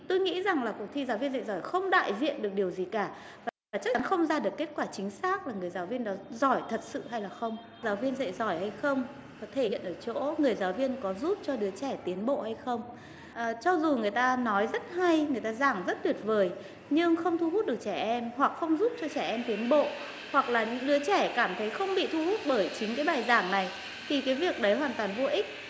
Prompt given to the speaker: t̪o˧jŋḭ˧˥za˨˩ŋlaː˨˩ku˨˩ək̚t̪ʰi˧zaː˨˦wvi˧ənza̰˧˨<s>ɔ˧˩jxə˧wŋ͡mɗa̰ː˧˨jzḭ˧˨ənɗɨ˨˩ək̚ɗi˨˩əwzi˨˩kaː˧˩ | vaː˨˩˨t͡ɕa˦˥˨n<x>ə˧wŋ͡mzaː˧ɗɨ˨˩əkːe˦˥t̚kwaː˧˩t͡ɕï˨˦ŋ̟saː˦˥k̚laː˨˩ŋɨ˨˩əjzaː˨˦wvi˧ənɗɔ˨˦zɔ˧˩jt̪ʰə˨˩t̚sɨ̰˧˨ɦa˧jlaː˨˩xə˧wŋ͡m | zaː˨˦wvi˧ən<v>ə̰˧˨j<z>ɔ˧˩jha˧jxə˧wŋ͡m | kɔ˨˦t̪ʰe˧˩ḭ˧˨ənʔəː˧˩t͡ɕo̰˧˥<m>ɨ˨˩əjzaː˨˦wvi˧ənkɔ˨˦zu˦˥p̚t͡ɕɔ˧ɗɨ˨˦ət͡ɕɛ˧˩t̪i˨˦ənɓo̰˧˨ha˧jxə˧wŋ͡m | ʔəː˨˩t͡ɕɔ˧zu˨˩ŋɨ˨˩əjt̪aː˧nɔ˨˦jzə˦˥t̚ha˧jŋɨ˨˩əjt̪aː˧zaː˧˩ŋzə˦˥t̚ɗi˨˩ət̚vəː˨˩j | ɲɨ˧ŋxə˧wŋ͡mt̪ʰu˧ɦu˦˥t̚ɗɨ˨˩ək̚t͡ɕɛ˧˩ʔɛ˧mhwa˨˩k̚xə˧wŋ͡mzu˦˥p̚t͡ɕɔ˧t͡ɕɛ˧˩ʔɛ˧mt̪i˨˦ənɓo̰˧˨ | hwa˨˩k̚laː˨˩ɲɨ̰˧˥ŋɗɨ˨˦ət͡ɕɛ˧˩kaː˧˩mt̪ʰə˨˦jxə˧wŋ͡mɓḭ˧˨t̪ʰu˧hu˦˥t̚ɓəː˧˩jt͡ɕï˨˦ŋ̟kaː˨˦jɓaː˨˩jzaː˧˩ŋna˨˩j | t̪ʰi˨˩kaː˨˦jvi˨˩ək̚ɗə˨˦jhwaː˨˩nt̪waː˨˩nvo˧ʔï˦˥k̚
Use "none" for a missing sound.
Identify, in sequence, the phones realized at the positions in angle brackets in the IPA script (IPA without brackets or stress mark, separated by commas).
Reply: z, x, z, z, ŋ